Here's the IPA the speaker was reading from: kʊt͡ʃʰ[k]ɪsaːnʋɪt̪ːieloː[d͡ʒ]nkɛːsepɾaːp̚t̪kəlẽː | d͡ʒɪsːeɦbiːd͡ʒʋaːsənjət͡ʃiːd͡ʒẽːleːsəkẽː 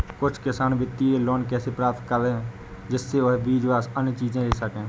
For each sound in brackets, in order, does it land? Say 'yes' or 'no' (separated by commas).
yes, no